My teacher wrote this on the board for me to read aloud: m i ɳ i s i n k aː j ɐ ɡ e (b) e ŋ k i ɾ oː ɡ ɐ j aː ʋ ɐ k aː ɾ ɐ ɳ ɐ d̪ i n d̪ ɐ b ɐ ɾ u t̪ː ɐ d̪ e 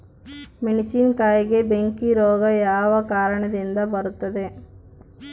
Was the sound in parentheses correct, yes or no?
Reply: yes